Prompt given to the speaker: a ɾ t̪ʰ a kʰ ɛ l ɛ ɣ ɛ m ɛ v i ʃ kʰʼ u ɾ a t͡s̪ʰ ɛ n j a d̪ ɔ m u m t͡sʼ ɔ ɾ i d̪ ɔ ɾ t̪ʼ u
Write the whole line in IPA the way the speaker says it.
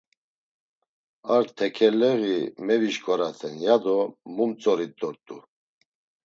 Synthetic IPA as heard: a ɾ t̪ʰ ɛ kʰ ɛ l ɛ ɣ i m ɛ v i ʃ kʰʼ ɔ ɾ a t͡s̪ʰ ɛ n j a d̪ ɔ m u m t͡sʼ ɔ ɾ i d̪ ɔ ɾ t̪ʼ u